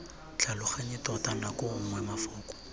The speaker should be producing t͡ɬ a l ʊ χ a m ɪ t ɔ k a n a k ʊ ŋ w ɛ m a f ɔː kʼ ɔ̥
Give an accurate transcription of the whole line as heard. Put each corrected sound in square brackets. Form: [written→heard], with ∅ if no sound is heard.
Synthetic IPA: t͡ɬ a l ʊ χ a [m→ɲ] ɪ t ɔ [k→t] a n a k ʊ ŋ w ɛ m a f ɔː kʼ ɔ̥